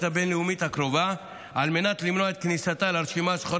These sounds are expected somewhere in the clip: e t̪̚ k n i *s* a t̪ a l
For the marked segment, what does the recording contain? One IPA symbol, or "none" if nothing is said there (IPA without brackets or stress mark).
s